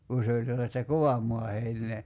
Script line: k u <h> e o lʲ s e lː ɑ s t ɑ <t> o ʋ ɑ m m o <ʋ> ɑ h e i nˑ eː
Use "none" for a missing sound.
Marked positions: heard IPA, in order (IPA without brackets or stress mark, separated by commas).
s, k, none